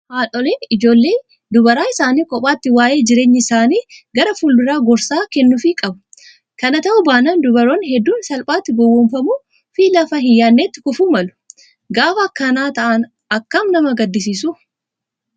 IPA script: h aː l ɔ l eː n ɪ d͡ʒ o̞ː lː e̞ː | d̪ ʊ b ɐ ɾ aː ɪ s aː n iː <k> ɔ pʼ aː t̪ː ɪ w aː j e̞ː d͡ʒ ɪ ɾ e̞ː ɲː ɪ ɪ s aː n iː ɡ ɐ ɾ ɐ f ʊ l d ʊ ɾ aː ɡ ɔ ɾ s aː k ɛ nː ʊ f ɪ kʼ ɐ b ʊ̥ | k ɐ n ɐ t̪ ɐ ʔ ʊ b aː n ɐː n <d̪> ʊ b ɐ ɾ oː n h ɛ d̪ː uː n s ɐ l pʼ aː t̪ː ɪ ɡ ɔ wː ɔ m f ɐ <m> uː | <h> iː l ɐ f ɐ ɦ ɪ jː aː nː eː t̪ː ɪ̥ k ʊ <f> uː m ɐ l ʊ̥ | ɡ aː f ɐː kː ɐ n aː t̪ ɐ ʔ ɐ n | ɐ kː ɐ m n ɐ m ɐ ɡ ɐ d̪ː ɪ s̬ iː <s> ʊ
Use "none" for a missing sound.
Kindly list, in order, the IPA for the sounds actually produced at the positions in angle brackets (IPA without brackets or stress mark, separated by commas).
kʼ, d̪, m, f, f, s